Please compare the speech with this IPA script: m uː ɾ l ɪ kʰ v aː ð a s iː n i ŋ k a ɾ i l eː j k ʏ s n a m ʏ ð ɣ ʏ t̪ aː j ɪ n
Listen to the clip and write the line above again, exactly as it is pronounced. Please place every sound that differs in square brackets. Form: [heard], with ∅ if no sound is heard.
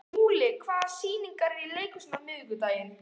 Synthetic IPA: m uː [∅] l ɪ kʰ v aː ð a s iː n i ŋ k a ɾ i l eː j k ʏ s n a m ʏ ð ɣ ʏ t̪ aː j ɪ n